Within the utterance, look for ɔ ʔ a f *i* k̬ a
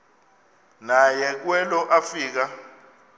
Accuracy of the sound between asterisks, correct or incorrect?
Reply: incorrect